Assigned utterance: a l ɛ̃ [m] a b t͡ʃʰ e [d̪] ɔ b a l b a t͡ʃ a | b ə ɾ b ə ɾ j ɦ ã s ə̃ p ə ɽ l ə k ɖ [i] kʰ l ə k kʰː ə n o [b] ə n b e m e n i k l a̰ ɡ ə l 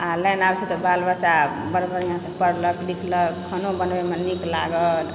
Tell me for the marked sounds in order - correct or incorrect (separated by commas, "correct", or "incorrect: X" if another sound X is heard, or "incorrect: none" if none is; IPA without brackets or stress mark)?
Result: incorrect: n, incorrect: t̪, correct, correct